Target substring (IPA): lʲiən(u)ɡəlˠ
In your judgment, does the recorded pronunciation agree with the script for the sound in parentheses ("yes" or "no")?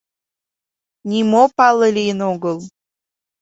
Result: no